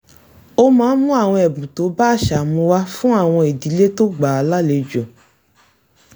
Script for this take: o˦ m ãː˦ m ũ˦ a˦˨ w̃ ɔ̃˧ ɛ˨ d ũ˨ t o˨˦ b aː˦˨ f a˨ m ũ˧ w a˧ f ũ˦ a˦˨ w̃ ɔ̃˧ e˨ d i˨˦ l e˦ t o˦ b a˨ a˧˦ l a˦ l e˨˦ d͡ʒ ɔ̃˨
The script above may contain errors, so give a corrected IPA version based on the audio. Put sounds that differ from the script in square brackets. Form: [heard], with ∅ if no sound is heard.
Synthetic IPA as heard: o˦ m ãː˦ m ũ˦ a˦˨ w̃ ɔ̃˧ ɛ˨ [b] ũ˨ t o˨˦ b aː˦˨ [ʃ] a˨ m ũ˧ w a˧ f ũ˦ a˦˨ w̃ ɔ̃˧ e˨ d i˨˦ l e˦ t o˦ [ɡ͡b] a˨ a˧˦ l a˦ l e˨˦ d͡ʒ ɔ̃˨